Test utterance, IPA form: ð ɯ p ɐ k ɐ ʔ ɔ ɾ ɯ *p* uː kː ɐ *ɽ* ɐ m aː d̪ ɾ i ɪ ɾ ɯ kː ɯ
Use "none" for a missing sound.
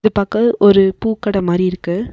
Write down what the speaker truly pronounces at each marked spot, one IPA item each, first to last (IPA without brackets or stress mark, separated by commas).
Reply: p, ɽ